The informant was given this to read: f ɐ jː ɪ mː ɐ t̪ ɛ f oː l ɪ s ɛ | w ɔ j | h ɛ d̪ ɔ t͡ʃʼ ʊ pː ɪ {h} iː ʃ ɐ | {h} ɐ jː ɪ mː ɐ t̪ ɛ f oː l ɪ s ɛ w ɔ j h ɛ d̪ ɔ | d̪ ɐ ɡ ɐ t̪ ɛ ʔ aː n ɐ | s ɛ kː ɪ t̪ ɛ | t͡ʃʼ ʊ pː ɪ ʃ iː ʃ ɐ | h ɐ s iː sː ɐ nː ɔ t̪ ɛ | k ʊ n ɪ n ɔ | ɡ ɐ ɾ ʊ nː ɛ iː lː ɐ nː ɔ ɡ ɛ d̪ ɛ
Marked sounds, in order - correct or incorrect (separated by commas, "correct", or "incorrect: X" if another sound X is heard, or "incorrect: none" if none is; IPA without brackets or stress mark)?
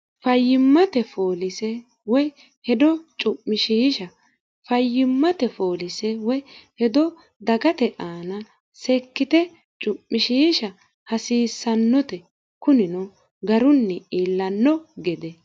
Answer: incorrect: ʃ, incorrect: f